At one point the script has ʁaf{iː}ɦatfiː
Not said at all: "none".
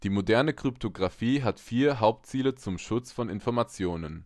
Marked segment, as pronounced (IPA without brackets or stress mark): iː